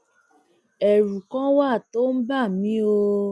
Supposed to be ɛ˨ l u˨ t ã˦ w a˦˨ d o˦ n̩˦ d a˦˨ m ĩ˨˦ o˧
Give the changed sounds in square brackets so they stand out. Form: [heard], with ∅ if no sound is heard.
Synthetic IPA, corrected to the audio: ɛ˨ [ɾ] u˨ [k] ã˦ w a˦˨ [t] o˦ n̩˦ [b] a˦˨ m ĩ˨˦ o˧